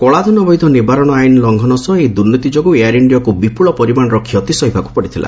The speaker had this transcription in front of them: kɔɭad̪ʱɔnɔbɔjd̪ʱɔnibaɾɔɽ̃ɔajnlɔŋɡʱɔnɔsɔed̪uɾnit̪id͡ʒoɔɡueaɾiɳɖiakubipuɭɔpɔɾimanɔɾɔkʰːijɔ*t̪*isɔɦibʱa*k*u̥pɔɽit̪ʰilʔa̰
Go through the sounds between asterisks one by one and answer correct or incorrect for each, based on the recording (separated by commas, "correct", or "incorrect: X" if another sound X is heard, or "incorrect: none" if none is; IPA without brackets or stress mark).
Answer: correct, correct